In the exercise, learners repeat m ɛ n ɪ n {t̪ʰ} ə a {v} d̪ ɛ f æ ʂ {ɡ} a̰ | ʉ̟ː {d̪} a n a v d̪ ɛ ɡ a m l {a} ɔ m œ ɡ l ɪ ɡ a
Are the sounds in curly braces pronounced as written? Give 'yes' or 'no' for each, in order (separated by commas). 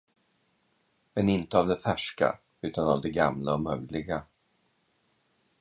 no, yes, no, no, yes